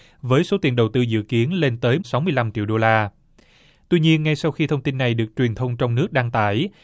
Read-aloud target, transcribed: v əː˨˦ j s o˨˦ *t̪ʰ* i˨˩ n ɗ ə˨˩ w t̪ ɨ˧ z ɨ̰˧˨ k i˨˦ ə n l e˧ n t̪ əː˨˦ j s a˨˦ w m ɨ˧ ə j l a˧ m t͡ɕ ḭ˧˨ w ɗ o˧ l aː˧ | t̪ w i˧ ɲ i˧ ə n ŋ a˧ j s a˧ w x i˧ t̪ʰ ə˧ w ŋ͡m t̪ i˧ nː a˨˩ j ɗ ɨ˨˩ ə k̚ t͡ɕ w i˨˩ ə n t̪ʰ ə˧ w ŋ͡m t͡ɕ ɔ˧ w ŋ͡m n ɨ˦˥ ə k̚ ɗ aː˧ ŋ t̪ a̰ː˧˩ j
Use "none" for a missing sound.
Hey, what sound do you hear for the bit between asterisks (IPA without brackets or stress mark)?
t̪